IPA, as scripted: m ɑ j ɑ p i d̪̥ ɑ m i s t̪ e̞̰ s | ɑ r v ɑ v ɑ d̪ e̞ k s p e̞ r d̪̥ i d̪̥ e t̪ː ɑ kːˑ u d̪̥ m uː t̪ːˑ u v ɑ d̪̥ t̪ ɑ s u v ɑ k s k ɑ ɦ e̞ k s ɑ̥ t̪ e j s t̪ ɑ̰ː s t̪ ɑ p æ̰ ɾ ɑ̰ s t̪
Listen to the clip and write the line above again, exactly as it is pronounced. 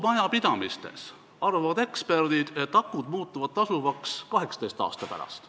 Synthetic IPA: m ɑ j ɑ p i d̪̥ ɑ m i s t̪ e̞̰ s | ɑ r v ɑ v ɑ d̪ e̞ k s p e̞ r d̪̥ i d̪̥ e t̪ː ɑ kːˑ u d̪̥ m uː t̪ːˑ u v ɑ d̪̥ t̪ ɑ s u v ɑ k s k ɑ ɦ e̞ k s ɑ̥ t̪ e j s t̪ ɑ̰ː s t̪ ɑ p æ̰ ɾ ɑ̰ s t̪